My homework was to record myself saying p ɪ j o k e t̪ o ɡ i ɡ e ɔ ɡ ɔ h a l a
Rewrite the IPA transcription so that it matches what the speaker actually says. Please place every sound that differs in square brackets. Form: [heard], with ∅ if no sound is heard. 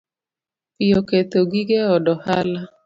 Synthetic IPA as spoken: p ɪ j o k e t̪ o ɡ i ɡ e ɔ [d] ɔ h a l a